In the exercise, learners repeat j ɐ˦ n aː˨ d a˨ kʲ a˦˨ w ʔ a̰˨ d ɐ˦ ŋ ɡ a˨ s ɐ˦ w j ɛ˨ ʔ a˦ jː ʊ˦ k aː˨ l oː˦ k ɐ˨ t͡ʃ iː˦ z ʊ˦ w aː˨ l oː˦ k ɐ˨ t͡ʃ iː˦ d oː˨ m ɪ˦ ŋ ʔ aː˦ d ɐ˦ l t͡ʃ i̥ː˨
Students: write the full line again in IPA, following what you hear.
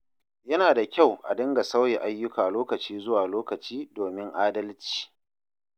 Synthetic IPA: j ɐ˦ n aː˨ d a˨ kʲ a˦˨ w ʔ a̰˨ d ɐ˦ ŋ ɡ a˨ s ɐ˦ w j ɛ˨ ʔ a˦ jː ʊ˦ k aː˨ l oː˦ k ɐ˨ t͡ʃ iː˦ z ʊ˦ w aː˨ l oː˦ k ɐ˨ t͡ʃ iː˦ d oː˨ m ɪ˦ ŋ ʔ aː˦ d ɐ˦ l t͡ʃ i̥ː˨